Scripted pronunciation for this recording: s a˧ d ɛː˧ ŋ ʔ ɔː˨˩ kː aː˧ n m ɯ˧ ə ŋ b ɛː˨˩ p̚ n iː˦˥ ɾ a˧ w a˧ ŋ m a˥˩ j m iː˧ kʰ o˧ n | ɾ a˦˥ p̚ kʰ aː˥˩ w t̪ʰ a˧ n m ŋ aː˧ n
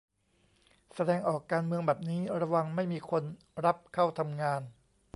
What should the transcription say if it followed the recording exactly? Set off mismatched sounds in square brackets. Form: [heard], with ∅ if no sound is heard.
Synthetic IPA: s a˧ d ɛː˧ ŋ ʔ ɔː˨˩ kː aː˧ n m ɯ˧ ə ŋ b ɛː˨˩ p̚ n iː˦˥ ɾ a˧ w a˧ ŋ m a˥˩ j m iː˧ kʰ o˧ n | ɾ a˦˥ p̚ kʰ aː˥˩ w t̪ʰ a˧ [∅] m ŋ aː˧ n

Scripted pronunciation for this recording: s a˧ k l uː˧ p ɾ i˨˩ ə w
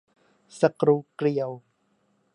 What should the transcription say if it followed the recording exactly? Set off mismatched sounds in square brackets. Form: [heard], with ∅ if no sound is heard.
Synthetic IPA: s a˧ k [ɾ] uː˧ [k] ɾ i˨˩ ə w

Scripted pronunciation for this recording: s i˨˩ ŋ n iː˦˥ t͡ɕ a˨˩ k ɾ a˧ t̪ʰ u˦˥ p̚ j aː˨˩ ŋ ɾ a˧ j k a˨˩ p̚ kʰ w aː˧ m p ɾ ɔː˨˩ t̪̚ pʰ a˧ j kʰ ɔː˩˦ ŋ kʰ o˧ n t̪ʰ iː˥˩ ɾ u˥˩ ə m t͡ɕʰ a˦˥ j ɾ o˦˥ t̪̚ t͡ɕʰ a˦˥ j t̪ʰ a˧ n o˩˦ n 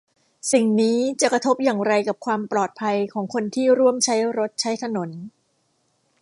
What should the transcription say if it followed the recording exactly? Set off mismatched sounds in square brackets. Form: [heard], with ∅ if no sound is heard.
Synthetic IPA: s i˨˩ ŋ n iː˦˥ t͡ɕ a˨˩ k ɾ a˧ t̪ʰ [o˦˥] p̚ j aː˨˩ ŋ ɾ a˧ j k a˨˩ p̚ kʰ w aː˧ m p [l] ɔː˨˩ t̪̚ pʰ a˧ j kʰ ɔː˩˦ ŋ kʰ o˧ n t̪ʰ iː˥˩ ɾ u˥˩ ə m t͡ɕʰ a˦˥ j ɾ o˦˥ t̪̚ t͡ɕʰ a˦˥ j t̪ʰ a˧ n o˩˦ n

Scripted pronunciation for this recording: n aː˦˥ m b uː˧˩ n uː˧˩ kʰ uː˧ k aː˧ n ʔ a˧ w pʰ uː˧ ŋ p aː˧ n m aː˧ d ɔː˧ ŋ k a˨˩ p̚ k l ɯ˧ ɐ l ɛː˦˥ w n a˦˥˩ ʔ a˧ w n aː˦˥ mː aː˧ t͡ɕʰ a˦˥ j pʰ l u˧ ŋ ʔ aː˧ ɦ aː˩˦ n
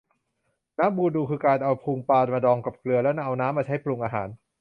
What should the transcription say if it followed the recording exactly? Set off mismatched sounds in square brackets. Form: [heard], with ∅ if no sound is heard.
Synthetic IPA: n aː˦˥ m b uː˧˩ [d] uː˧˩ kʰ [ɯː˧] k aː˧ n ʔ a˧ w pʰ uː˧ ŋ p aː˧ n m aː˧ d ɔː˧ ŋ k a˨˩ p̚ k l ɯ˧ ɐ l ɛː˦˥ w n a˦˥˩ ʔ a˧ w n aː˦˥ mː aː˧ t͡ɕʰ a˦˥ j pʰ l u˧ ŋ ʔ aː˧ ɦ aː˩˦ n

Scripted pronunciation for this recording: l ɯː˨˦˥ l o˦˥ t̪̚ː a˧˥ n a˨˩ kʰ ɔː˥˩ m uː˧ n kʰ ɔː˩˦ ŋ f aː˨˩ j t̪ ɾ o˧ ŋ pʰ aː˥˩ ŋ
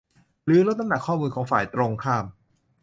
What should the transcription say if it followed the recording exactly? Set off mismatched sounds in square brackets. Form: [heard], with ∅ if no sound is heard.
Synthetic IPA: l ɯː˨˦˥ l o˦˥ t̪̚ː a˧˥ n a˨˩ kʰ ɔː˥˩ m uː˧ n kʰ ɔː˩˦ ŋ f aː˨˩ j t̪ ɾ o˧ ŋ [kʰ] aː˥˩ [m]

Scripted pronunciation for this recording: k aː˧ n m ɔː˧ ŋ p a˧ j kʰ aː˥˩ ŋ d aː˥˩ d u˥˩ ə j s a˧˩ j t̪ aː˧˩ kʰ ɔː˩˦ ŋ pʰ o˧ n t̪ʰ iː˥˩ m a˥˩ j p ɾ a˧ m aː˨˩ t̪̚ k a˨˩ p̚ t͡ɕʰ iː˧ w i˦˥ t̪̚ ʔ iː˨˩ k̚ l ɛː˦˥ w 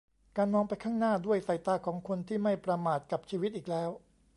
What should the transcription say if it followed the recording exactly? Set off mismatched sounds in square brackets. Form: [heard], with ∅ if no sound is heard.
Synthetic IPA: k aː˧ n m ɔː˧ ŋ p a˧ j kʰ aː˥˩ ŋ [n] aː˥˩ d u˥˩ ə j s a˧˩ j t̪ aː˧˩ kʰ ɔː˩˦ ŋ [kʰ] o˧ n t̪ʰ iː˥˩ m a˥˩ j p ɾ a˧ m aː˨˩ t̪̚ k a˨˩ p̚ t͡ɕʰ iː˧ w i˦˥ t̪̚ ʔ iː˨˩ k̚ l ɛː˦˥ w

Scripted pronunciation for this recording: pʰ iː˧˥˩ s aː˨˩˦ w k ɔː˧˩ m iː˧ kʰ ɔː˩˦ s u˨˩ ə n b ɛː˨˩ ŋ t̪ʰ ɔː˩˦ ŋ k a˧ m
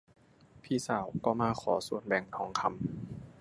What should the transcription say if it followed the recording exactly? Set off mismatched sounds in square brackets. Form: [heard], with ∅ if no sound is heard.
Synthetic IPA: pʰ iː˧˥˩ s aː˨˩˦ w k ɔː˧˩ m [aː˧] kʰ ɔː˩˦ s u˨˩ ə n b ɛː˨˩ ŋ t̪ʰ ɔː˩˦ ŋ [kʰ] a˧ m

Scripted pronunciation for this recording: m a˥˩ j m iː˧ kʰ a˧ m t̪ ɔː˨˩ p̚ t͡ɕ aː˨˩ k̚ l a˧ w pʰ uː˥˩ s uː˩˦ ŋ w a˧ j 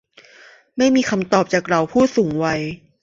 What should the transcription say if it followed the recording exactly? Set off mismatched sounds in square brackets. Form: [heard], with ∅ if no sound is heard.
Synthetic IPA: m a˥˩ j m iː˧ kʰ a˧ m t̪ ɔː˨˩ p̚ t͡ɕ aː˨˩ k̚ [ɾ] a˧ w pʰ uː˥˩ s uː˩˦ ŋ w a˧ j

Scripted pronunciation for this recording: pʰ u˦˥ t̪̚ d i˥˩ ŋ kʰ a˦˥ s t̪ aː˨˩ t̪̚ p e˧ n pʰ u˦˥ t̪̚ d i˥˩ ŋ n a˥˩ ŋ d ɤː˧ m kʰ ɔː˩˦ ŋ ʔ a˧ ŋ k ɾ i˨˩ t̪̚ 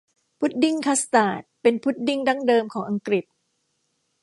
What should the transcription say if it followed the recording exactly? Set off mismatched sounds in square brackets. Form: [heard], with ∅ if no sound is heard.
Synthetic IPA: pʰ u˦˥ t̪̚ d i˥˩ ŋ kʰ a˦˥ s t̪ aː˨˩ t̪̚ p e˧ n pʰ u˦˥ t̪̚ d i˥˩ ŋ [d] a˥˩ ŋ d ɤː˧ m kʰ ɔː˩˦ ŋ ʔ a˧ ŋ k ɾ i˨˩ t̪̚

